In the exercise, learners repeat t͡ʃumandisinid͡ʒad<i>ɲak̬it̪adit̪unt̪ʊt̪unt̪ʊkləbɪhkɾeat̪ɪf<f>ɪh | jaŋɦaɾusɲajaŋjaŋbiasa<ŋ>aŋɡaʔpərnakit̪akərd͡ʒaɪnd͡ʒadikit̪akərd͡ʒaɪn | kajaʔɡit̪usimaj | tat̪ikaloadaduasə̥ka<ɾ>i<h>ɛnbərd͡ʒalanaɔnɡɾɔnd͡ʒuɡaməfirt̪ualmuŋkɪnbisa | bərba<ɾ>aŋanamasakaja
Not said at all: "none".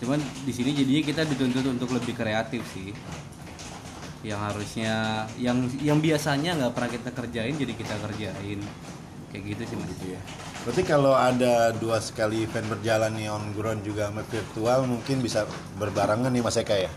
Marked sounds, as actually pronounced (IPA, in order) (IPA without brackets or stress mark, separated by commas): i, s, ɲ, l, f, ɾ